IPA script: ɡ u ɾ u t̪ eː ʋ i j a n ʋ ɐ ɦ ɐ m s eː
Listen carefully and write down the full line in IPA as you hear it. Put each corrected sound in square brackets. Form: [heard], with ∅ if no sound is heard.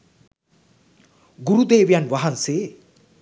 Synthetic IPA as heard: ɡ u ɾ u [d̪] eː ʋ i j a n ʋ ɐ ɦ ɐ [n] s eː